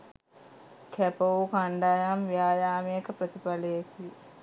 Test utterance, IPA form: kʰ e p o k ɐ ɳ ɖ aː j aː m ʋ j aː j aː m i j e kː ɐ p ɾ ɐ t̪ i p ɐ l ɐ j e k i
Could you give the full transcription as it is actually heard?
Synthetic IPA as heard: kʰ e p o k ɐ ɳ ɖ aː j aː m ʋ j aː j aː m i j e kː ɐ p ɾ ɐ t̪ i p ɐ l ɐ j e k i